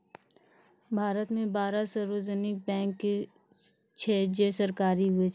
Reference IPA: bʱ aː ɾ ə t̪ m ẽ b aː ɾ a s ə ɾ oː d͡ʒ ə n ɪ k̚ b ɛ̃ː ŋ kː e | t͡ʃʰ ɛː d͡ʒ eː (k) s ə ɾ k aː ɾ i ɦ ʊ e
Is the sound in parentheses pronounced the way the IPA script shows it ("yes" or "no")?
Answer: no